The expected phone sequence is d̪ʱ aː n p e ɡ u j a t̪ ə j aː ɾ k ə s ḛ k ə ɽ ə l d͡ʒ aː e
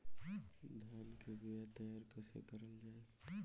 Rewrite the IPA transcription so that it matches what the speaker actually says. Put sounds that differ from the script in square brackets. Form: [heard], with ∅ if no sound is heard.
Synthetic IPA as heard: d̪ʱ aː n [k] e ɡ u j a t̪ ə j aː ɾ k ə s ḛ k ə [ɾ] ə l d͡ʒ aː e